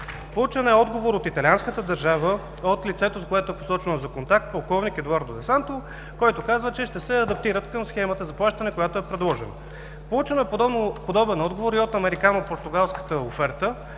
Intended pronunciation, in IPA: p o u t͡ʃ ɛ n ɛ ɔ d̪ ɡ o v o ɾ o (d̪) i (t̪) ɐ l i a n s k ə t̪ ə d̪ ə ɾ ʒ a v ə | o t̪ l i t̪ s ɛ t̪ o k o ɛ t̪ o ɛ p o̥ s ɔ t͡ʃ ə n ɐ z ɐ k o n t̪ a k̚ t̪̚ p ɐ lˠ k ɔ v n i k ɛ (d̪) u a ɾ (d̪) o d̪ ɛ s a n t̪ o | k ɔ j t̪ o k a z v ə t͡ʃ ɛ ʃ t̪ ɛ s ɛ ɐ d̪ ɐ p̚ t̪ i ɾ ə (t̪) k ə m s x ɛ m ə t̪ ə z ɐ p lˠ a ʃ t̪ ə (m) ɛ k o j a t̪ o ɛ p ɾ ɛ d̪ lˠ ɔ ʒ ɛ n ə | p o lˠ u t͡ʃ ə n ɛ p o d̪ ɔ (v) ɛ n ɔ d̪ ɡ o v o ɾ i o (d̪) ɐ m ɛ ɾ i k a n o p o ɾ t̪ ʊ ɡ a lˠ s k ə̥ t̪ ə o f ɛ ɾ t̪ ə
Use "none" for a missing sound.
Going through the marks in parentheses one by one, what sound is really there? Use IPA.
t̪, t̪, d̪, d̪, t̪, n, b, t̪

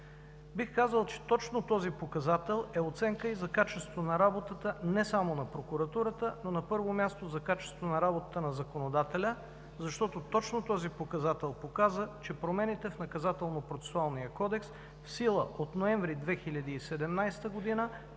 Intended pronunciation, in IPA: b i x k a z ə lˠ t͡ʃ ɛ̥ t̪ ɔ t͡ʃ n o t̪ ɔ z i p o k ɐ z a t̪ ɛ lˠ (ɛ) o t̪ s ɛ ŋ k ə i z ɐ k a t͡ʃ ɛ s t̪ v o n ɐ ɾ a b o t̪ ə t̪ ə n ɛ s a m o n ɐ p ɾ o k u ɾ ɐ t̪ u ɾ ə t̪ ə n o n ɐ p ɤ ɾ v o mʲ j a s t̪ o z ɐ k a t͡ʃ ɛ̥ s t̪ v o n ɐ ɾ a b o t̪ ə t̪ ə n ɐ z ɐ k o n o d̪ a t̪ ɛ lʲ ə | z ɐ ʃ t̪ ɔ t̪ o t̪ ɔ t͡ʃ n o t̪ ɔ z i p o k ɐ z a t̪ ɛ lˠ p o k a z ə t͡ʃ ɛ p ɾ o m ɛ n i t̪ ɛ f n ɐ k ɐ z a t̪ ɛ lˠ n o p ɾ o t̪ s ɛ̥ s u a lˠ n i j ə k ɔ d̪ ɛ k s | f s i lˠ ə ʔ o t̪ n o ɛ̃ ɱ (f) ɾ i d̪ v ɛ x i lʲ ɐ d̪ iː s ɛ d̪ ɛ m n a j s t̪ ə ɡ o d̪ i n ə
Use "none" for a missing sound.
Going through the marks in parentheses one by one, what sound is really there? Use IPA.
ɛ, v

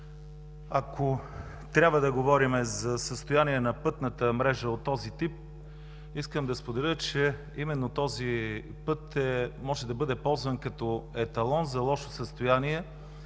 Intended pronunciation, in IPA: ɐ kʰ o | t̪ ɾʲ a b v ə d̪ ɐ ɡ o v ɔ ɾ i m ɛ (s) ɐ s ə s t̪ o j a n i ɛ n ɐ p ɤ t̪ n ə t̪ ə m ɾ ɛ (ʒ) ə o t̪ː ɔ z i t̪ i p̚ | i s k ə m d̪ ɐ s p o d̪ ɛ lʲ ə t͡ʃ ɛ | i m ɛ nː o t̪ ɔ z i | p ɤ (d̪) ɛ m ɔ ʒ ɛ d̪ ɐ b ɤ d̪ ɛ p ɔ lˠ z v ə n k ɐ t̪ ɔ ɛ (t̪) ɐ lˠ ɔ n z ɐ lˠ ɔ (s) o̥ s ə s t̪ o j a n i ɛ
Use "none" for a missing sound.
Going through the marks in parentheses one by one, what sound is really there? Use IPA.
z, ʒ, t̪, t̪, ʃ

